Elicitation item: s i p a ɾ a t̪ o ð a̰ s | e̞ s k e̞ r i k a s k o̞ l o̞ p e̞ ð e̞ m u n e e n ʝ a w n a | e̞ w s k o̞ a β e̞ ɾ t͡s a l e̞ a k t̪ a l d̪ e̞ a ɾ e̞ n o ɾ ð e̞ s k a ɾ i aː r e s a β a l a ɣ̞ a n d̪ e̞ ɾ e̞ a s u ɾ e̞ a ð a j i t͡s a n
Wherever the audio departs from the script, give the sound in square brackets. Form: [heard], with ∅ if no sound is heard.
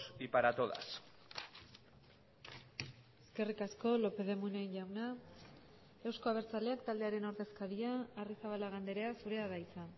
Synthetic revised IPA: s i p a ɾ a t̪ o ð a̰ s | e̞ s k e̞ r i k a s k o̞ l o̞ p e̞ ð e̞ m u n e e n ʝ a w n a | e̞ w s k o̞ a β e̞ ɾ t͡s a l e̞ a k t̪ a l d̪ e̞ a ɾ e̞ n o ɾ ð e̞ s k a ɾ i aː r [i] s a β a l a ɣ̞ a n d̪ e̞ ɾ e̞ a s u ɾ e̞ a ð a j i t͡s a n